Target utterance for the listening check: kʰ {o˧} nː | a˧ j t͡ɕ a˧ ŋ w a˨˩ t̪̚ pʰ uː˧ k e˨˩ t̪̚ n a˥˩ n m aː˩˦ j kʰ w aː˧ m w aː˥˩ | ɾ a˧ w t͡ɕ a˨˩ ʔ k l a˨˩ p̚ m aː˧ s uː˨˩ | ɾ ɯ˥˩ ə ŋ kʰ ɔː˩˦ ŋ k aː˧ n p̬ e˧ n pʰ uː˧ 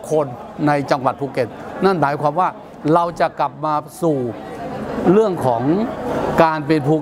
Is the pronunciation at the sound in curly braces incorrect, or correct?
correct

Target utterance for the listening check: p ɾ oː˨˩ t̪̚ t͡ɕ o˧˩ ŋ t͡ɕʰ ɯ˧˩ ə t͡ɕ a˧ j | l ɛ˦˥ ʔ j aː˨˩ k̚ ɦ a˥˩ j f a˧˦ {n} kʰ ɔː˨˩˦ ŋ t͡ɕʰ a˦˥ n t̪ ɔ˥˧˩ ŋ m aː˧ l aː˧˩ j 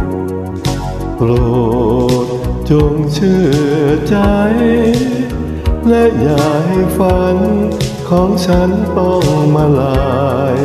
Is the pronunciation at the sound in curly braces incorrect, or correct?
correct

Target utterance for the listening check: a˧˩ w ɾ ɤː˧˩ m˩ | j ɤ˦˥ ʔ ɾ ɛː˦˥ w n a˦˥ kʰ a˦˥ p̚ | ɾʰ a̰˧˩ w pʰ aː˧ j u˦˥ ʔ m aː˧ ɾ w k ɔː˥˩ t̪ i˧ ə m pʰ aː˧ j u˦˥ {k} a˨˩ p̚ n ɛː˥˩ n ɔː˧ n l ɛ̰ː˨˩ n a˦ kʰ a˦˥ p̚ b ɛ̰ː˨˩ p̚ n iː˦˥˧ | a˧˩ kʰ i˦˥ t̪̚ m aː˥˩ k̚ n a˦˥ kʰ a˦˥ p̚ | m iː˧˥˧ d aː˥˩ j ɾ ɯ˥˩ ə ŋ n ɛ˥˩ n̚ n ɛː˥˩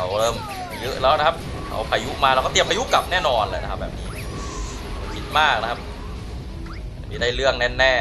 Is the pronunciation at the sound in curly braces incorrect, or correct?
correct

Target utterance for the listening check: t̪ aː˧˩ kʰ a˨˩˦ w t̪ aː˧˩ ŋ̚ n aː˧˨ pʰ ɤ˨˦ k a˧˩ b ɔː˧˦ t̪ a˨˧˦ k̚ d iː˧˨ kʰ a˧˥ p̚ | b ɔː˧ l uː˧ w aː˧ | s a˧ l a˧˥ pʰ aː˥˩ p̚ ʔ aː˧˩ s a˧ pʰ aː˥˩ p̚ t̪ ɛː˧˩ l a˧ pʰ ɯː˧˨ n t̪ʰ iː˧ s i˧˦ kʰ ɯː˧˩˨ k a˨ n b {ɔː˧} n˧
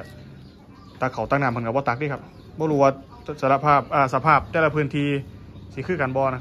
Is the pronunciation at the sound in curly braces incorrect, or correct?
correct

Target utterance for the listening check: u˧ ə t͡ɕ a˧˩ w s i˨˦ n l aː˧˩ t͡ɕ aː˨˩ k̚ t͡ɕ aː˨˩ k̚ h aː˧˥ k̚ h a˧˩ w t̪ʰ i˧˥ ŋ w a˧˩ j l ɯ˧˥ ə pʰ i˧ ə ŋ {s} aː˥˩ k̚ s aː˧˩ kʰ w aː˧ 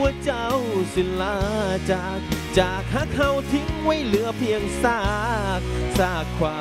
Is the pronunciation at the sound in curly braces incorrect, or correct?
correct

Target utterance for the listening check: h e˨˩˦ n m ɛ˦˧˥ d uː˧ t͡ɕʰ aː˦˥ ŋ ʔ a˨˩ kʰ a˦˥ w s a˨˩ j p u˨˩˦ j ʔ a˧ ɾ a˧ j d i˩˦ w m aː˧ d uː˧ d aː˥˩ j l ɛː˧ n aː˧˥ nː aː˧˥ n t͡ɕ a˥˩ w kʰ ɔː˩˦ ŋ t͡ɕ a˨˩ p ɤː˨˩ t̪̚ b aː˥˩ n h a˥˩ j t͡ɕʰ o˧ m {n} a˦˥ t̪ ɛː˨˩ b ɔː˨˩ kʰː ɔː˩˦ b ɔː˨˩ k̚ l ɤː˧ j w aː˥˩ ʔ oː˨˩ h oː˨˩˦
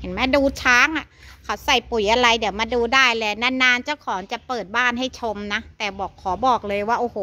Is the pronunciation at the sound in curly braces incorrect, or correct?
correct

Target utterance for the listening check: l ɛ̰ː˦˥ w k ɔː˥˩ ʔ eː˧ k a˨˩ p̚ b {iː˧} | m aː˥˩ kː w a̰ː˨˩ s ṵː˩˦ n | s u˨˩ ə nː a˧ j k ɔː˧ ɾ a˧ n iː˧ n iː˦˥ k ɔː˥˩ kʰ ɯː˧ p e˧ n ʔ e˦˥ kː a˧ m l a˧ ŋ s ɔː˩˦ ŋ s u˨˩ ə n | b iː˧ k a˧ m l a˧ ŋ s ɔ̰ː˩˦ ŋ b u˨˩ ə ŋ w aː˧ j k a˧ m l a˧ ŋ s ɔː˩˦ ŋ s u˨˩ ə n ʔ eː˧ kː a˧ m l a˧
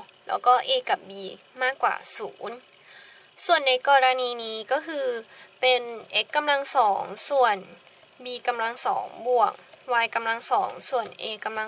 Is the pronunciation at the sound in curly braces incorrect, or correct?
correct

